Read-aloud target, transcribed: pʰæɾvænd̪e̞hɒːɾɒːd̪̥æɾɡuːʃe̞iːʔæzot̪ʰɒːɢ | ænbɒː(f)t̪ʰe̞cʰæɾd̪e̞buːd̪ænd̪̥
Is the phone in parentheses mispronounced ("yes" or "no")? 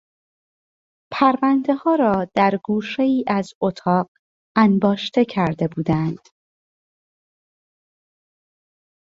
yes